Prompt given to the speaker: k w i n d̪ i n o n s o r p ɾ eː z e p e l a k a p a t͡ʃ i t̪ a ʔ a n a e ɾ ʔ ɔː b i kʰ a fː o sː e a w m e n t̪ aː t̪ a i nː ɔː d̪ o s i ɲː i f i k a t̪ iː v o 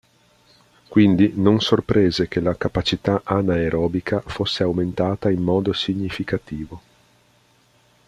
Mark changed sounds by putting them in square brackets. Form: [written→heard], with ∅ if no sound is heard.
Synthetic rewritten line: k w i n d̪ i n o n s o r p ɾ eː z e [p→k] e l a k a p a t͡ʃ i t̪ a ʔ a n a e ɾ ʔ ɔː b i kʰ a [fː→f] o sː e a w m e n t̪ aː t̪ a i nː ɔː d̪ o s i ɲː i f i k a t̪ iː v o